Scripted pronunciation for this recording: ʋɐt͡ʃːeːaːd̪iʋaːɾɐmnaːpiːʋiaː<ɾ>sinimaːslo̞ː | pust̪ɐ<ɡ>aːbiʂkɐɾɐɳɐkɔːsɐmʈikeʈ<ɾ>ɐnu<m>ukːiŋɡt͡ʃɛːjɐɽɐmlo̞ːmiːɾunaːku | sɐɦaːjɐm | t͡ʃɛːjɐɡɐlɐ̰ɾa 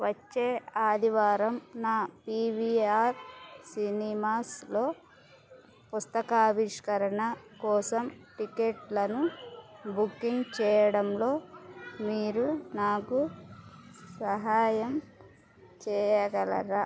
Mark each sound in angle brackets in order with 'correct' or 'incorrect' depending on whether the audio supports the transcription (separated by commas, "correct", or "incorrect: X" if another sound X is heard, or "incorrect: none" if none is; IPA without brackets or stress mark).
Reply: correct, incorrect: k, incorrect: l, incorrect: b